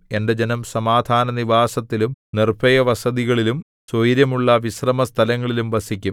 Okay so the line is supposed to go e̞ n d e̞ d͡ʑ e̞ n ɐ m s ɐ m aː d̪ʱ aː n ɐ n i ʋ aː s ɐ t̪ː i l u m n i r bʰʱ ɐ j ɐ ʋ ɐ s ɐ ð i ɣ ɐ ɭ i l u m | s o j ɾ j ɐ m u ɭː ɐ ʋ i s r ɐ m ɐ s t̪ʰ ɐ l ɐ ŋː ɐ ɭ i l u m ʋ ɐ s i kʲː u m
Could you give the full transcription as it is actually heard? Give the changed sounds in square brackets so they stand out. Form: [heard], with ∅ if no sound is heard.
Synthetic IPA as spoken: e̞ n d e̞ d͡ʑ e̞ n ɐ m s ɐ m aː d̪ʱ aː n ɐ n i ʋ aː s ɐ t̪ː i l u m n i r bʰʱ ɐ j ɐ ʋ ɐ s ɐ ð i ɣ ɐ ɭ i l u m | s o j ɾ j ɐ m u ɭː ɐ ʋ i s r ɐ m ɐ s t̪ʰ ɐ l ɐ ŋː ɐ ɭ i l u m ʋ ɐ s i kʲː u m